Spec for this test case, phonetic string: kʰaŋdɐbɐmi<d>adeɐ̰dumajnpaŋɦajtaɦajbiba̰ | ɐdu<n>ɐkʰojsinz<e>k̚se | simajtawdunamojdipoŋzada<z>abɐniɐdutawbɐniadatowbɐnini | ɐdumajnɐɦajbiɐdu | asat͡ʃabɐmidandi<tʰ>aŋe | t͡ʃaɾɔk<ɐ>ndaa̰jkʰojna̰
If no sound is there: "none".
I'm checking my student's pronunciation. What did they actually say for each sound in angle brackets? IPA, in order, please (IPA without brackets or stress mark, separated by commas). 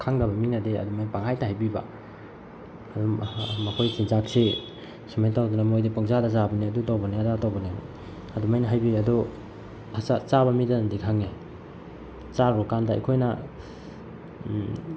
n, m, a, z, kʰ, a